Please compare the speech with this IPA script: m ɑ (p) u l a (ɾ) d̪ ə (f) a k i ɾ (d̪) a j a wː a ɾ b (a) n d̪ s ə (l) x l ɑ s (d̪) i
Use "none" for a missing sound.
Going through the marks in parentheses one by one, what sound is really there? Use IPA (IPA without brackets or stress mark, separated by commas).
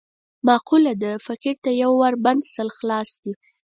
q, none, f, t̪, a, l, d̪